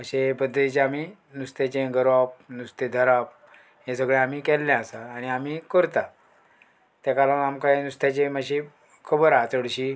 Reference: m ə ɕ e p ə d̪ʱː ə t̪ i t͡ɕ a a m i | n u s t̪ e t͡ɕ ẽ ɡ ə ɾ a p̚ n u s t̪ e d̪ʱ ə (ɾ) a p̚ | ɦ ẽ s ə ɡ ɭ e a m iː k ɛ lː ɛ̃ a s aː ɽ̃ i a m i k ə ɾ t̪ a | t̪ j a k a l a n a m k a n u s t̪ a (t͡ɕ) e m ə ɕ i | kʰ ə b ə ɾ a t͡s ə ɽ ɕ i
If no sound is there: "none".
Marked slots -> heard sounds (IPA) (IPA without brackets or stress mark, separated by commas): ɾ, t͡ɕ